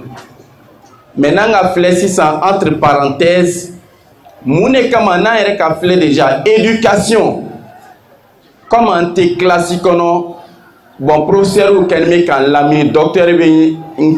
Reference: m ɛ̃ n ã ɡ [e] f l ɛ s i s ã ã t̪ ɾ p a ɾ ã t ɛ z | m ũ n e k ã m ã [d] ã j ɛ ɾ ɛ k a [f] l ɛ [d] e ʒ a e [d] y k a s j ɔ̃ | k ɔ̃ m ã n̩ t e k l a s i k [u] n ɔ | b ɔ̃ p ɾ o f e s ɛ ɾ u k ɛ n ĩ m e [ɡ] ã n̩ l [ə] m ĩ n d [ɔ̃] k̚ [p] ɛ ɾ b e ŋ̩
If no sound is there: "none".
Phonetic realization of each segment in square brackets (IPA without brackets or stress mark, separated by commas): a, n, f, d, d, ɔ, k, a, ɔ, t